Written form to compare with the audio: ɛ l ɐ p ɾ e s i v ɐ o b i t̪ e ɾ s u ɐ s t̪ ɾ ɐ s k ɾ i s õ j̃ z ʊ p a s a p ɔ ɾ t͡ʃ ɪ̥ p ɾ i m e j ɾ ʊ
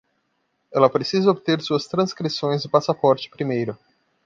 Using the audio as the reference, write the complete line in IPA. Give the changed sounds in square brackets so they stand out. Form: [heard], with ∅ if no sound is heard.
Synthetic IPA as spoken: ɛ l ɐ p ɾ e s i [z] ɐ o b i t̪ e ɾ s u ɐ s t̪ ɾ [ɐ̃] s k ɾ i s õ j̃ z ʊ p a s a p ɔ ɾ t͡ʃ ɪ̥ p ɾ i m e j ɾ ʊ